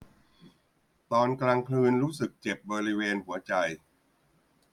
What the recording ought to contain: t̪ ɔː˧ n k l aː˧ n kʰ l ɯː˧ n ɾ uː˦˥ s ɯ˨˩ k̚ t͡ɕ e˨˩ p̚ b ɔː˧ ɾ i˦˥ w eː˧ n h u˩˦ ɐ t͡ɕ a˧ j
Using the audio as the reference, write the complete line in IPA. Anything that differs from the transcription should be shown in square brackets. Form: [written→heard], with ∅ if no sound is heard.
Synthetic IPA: t̪ ɔː˧ n k l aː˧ [n→ŋ] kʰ l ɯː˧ n ɾ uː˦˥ s ɯ˨˩ k̚ t͡ɕ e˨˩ p̚ b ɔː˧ ɾ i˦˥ w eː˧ n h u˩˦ ɐ t͡ɕ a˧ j